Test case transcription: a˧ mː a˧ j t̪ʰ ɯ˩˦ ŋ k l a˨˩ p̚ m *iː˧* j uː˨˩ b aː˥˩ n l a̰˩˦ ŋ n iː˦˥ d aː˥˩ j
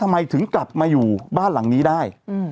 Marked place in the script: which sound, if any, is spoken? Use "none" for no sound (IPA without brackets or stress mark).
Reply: aː˧